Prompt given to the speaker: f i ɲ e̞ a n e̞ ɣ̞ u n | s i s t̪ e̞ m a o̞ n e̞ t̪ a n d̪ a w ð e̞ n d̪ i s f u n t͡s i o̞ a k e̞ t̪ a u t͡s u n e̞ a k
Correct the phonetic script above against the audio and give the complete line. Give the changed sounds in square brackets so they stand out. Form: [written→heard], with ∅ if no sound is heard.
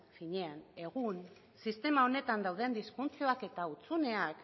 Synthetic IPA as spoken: f i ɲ e̞ a n e̞ ɣ̞ u n | s i s t̪ e̞ m a o̞ n e̞ t̪ a n d̪ a w ð e̞ n d̪ i s f u n t͡s i o̞ a k e̞ t̪ a u t͡s u n e̞ a k